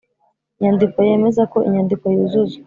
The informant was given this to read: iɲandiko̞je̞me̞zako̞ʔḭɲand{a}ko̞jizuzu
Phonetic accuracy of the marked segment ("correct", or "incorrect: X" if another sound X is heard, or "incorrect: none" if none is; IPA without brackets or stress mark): incorrect: i